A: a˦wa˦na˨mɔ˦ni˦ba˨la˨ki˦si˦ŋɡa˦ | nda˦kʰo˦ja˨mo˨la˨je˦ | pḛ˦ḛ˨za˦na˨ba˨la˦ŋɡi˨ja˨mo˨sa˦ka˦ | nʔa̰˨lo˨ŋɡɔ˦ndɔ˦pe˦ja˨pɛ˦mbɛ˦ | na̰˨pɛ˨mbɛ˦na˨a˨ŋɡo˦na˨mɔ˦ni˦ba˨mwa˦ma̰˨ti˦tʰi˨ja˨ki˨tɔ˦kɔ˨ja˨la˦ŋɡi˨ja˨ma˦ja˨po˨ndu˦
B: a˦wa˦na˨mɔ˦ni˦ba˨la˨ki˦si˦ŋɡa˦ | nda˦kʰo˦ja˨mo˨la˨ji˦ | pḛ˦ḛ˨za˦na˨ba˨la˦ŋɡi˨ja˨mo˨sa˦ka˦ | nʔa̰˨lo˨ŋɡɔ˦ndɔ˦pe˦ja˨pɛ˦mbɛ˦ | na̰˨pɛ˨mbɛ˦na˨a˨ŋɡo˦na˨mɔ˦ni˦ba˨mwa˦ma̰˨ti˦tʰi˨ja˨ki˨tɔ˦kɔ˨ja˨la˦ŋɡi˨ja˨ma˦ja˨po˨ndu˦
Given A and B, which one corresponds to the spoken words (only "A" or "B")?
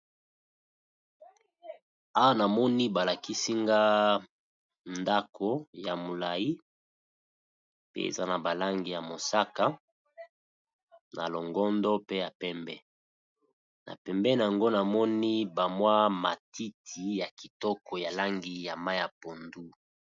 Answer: B